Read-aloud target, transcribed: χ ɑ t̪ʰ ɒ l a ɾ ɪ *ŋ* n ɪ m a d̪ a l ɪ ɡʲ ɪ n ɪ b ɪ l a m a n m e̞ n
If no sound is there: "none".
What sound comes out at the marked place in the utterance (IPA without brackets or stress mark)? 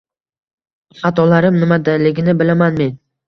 m